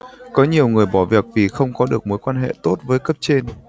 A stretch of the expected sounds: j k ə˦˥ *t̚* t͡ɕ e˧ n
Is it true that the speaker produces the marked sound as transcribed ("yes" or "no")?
no